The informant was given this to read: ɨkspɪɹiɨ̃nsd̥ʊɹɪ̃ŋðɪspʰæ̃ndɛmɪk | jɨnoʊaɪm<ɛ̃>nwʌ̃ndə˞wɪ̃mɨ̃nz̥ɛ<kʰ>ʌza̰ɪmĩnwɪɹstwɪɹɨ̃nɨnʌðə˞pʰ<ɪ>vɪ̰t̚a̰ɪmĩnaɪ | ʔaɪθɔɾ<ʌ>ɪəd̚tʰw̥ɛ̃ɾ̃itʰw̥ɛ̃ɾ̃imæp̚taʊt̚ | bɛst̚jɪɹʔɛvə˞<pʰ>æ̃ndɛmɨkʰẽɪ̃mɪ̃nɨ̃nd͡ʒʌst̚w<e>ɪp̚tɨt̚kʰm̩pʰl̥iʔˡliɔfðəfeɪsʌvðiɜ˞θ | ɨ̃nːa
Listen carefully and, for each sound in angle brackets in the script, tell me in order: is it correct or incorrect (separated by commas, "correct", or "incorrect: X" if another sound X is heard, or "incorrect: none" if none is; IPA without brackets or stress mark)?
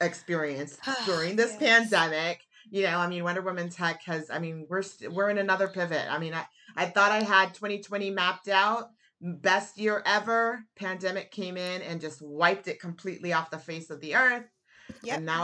incorrect: ĩ, correct, correct, incorrect: a, correct, incorrect: a